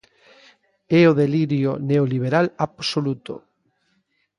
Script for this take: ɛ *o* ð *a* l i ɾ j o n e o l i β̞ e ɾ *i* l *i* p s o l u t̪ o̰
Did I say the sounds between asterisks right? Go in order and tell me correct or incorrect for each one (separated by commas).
correct, incorrect, incorrect, incorrect